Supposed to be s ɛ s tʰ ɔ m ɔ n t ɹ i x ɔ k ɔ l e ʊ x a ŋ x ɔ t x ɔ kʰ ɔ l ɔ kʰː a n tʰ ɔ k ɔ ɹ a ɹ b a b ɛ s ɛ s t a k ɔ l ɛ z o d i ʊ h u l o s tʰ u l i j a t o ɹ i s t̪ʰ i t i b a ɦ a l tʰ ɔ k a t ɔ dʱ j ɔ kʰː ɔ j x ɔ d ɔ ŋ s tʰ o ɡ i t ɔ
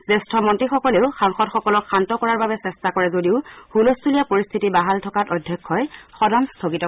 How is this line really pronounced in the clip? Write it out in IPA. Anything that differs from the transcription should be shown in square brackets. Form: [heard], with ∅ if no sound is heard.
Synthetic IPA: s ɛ s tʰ ɔ m ɔ n t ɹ i x ɔ k ɔ l e ʊ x a ŋ x ɔ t x ɔ [k] ɔ l ɔ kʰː a n [t] ɔ k ɔ ɹ a ɹ b a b ɛ s ɛ s t a k ɔ [ɹ] ɛ z o d i ʊ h u l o s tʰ u l i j a [p] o ɹ i s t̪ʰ i t i b a ɦ a l tʰ ɔ k a t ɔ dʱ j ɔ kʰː ɔ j x ɔ d ɔ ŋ s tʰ o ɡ i t ɔ